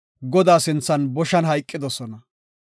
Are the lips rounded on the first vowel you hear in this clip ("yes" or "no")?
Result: yes